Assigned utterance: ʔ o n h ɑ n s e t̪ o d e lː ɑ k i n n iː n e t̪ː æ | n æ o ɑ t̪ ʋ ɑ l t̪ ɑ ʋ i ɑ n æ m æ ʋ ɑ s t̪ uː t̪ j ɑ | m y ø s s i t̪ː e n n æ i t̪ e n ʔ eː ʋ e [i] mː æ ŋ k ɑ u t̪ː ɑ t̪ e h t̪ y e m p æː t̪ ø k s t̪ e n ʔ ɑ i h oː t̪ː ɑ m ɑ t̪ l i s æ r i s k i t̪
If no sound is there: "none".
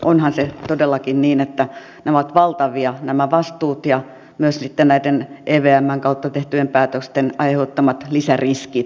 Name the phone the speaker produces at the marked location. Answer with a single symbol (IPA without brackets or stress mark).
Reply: æ